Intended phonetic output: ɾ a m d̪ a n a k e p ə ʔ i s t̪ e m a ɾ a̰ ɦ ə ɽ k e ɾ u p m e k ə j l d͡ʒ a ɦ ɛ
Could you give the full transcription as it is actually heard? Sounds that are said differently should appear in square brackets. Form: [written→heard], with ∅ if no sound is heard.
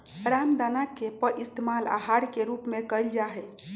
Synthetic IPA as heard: ɾ a m d̪ a n a k e p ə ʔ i s t̪ e m a [ɾ→l] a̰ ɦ [ə→a] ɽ k e ɾ u p m e k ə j l d͡ʒ a ɦ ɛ